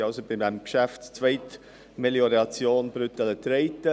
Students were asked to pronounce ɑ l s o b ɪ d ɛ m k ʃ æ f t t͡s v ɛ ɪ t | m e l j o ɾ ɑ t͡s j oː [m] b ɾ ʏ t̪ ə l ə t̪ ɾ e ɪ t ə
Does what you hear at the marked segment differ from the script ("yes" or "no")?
yes